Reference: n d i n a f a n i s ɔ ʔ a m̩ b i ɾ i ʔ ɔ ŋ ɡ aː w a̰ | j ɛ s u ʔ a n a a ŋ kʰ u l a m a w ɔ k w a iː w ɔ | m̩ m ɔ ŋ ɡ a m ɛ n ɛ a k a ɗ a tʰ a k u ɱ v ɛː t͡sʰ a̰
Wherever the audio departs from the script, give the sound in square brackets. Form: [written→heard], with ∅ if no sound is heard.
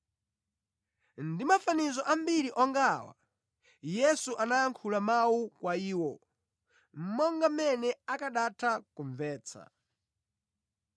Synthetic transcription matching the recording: n d i [n→m] a f a n i [s→z] ɔ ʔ a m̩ b i ɾ i ʔ ɔ ŋ ɡ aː w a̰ | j ɛ s u ʔ a n a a ŋ kʰ u l a m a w [ɔ→u] k w a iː w ɔ | m̩ m ɔ ŋ ɡ a m ɛ n ɛ a k a ɗ a tʰ a k u ɱ v ɛː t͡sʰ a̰